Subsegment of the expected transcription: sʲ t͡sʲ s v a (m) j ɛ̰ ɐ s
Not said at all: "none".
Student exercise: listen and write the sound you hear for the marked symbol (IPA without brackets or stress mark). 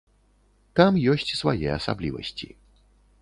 none